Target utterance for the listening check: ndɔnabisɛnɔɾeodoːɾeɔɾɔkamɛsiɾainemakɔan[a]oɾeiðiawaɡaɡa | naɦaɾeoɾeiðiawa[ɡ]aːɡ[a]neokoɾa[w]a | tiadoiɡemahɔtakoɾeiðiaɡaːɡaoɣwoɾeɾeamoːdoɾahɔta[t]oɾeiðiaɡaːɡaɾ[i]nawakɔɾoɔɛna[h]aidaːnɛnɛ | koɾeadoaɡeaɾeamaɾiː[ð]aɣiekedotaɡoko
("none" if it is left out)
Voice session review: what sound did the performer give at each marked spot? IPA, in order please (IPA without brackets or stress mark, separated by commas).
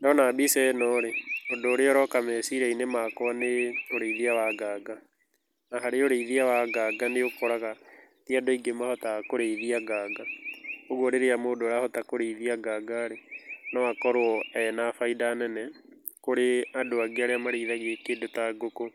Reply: e, ɡ, a, ɣ, k, e, f, ð